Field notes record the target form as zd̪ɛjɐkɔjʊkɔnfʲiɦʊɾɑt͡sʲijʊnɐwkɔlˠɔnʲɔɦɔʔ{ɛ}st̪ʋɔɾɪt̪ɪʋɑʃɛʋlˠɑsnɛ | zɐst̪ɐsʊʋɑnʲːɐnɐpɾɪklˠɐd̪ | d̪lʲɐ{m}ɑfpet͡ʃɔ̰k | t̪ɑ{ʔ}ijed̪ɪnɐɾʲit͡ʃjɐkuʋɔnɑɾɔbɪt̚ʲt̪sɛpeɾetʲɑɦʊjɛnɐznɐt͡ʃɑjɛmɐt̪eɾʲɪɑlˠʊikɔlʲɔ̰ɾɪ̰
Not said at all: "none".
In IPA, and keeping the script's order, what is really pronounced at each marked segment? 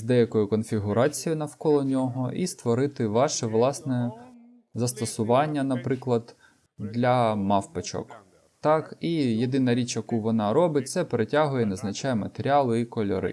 i, m, k

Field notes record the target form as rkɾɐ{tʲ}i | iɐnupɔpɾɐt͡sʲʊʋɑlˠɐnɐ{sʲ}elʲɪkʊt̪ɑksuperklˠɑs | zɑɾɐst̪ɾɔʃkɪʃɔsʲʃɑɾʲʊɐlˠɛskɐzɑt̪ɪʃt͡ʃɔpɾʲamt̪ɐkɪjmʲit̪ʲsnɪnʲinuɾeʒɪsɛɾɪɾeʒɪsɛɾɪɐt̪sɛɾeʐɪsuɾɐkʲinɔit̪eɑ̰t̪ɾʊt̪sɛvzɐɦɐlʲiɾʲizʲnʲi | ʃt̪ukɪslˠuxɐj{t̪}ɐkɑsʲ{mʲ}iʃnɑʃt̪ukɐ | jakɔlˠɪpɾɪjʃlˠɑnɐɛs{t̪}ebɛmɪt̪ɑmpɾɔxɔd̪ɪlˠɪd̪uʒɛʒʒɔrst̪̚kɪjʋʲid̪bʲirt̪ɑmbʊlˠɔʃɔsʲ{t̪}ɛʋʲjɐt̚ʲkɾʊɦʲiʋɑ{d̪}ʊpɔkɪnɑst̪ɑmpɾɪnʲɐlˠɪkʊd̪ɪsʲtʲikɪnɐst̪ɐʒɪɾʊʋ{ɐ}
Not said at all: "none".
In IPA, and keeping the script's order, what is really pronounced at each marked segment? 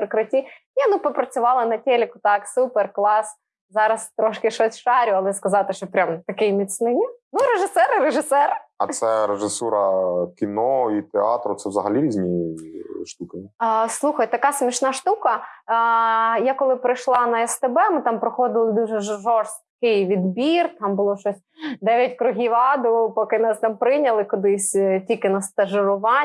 tʲ, tʲ, t̪, mʲ, t̪, d̪, d̪, ɑ

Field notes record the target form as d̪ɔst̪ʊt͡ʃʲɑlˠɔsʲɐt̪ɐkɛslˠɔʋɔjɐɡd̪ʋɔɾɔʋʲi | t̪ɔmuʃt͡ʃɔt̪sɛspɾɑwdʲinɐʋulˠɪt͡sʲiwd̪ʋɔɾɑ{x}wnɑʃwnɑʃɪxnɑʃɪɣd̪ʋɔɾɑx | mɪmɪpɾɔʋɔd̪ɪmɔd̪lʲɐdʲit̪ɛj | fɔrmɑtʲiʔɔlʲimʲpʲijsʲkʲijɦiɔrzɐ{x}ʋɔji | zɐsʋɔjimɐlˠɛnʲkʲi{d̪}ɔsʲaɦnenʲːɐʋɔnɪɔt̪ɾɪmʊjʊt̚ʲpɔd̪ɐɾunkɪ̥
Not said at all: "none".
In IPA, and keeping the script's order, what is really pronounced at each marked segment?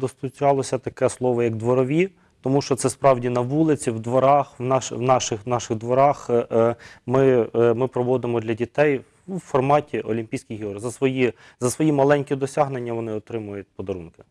x, s, d̪

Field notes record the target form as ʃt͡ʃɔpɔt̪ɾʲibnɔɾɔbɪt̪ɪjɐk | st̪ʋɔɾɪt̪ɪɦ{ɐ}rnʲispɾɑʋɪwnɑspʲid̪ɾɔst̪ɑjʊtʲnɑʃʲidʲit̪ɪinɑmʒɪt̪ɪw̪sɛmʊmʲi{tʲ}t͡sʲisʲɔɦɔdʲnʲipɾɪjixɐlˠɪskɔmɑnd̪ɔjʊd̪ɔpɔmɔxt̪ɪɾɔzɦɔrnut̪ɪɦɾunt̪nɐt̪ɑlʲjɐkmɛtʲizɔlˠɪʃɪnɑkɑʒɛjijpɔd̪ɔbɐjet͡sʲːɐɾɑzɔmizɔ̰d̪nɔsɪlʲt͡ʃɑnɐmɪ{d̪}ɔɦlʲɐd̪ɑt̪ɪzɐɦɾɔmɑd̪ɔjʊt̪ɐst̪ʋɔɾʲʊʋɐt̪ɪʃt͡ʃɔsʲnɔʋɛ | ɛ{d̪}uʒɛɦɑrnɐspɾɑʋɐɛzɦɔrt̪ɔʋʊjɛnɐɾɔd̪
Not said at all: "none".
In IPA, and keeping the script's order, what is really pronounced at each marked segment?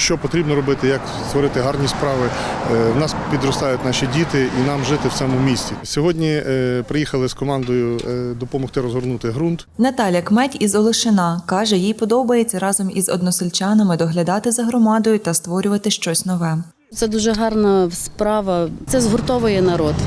ɑ, sʲ, d̪, d̪

